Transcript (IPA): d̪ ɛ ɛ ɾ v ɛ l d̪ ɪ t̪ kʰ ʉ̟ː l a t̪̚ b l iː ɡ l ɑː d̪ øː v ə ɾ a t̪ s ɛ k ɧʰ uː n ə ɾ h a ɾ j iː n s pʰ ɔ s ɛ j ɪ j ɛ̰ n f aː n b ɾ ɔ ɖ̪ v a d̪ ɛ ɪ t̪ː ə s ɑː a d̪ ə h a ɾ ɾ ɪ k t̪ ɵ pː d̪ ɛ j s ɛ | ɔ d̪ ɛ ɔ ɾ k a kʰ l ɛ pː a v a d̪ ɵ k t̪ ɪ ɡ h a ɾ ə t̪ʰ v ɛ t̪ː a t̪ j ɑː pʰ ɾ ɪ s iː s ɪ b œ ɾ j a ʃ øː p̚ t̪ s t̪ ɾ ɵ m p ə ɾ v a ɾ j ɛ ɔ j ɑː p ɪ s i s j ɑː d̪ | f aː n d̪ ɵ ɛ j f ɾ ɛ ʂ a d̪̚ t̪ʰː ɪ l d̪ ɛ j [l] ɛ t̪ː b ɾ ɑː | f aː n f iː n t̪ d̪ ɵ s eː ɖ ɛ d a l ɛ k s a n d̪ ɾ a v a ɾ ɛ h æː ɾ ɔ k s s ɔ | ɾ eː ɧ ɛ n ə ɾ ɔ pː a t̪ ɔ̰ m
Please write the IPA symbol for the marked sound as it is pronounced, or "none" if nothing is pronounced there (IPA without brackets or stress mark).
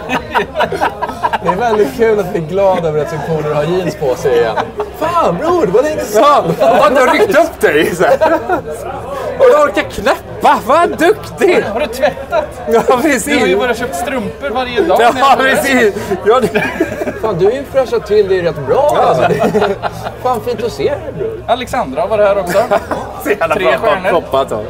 ɾ